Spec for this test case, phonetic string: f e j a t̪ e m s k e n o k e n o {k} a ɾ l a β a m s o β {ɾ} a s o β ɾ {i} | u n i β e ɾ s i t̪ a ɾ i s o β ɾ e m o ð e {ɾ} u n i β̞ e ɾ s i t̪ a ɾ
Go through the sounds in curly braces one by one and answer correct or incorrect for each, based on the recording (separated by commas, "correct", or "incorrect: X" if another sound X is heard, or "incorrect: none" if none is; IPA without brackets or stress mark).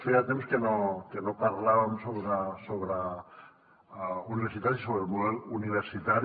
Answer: incorrect: p, correct, incorrect: a, incorrect: l